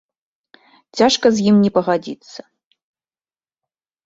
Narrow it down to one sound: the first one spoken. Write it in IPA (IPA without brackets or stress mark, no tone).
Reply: t͡sʲ